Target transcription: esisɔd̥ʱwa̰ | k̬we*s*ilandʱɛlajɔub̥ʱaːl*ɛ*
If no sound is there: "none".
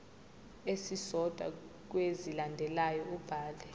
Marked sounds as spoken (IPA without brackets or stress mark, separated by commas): z, ɛ